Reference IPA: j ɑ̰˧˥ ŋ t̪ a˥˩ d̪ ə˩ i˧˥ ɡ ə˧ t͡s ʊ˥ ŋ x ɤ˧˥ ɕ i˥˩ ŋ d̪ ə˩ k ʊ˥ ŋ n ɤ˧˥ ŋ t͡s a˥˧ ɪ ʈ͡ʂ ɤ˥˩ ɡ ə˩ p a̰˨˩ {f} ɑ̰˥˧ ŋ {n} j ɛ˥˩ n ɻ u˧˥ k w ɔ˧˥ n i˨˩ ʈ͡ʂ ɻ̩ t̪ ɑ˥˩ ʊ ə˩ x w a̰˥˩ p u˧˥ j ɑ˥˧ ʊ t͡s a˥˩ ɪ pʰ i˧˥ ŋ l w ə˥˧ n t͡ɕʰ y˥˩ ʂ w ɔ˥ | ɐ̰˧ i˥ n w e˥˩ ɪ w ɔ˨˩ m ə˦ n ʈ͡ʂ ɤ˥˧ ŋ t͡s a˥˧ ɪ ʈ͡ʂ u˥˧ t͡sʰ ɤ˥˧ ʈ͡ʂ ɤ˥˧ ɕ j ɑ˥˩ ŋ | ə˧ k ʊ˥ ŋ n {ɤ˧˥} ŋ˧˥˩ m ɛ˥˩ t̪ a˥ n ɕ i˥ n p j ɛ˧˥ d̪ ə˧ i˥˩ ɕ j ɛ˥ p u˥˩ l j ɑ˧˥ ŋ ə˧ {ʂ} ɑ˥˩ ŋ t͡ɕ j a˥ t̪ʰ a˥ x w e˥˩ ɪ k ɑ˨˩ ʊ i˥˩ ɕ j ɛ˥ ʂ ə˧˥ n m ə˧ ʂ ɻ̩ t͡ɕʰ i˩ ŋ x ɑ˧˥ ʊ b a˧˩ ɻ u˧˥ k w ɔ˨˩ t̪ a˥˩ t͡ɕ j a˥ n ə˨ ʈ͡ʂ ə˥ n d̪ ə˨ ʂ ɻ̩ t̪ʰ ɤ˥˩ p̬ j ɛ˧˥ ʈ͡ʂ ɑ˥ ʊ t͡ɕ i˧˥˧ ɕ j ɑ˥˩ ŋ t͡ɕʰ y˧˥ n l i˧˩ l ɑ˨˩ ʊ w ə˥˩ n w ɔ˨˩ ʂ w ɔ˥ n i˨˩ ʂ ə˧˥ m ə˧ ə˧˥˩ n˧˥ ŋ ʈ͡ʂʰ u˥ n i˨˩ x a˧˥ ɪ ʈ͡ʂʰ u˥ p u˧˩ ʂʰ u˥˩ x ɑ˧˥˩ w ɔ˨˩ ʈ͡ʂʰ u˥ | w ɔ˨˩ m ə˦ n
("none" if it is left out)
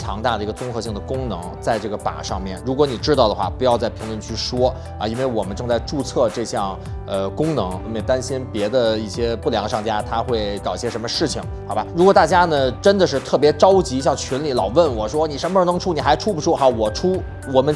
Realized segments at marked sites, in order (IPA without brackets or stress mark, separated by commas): ʂ, m, ɤ˧˥, ʂ